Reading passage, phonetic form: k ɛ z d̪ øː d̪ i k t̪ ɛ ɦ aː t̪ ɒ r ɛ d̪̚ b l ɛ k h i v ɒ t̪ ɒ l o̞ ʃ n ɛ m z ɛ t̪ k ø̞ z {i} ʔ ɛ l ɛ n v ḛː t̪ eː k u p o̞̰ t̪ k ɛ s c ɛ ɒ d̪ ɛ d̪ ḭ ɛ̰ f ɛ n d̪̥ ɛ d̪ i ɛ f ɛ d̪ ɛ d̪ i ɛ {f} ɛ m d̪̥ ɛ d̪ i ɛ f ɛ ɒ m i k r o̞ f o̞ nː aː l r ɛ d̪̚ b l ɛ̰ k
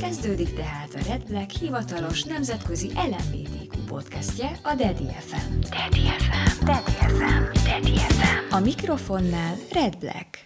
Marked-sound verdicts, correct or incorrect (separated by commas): correct, correct